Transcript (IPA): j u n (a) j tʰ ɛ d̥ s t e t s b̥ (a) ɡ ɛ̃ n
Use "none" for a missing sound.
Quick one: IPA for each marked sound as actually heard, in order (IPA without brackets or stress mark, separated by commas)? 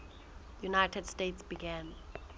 a, i